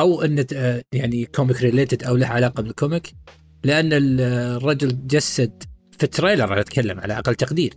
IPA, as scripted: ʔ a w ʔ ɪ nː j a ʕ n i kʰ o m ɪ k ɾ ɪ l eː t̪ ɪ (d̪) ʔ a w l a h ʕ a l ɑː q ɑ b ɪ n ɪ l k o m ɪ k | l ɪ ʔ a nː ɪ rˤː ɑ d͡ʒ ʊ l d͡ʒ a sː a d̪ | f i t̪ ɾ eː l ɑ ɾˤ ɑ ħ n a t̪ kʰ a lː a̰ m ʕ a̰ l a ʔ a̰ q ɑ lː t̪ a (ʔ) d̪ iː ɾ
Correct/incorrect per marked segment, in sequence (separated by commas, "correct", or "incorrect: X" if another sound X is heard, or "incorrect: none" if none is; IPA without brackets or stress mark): correct, incorrect: q